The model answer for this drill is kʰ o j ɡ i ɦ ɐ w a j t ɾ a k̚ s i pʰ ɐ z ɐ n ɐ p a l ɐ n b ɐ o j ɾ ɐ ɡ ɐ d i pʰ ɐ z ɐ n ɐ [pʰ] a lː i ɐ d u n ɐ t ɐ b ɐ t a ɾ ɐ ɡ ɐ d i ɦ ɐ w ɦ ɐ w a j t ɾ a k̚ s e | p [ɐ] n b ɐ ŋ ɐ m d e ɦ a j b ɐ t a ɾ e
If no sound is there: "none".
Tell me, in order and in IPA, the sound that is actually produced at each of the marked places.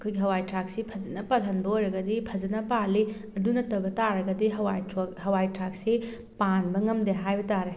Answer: p, a

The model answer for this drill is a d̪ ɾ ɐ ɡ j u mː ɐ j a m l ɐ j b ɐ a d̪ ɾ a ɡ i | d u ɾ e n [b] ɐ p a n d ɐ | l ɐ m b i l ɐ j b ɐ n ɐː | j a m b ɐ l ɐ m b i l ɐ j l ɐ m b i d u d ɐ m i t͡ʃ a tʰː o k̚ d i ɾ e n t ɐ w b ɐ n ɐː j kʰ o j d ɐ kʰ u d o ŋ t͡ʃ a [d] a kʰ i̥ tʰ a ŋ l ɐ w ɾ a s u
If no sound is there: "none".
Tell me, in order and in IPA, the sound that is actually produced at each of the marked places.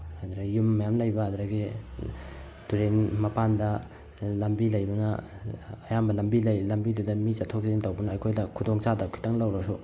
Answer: m, d

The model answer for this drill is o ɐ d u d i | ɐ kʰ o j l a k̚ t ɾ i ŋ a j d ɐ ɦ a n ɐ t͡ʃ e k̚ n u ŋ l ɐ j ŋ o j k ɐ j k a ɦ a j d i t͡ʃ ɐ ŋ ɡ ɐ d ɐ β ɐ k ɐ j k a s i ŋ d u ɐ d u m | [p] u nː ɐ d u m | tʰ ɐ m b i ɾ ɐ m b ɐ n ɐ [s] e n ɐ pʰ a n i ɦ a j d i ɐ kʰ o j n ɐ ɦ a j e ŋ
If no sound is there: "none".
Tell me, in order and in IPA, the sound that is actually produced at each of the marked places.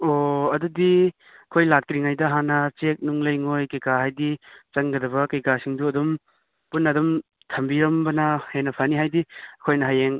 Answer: p, h

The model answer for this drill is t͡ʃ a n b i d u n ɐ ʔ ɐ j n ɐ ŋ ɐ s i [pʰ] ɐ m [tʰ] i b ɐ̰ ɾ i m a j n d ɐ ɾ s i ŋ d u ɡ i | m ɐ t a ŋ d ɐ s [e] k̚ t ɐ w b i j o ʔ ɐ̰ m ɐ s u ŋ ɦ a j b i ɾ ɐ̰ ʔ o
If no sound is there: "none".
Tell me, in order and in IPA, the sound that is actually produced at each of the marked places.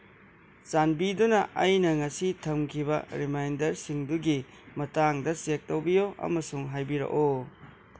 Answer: tʰ, kʰ, e

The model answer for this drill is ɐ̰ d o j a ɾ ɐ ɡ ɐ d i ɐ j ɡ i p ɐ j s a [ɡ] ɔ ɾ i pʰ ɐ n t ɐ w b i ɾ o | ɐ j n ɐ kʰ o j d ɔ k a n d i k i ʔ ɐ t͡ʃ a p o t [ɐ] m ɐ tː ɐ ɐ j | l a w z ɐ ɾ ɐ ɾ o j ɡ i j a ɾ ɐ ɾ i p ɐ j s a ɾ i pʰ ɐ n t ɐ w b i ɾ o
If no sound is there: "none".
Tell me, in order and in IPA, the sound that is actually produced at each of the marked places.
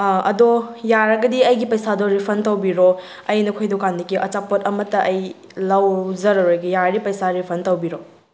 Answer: d, ɐ

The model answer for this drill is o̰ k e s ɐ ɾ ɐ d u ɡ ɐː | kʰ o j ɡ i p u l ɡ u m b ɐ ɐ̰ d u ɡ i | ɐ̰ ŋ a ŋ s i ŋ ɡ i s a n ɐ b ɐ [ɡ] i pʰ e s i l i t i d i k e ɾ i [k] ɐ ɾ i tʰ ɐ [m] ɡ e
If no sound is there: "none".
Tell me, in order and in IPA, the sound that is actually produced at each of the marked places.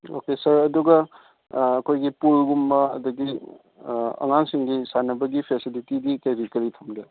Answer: ɡ, k, m

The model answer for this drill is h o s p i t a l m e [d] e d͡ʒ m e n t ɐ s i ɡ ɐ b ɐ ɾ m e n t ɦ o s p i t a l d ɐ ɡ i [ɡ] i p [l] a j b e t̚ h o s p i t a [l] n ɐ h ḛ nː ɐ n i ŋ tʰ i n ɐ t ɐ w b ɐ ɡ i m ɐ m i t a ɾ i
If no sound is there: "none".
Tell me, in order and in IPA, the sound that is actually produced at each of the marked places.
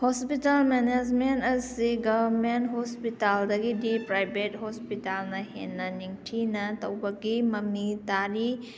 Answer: n, d, ɾ, l

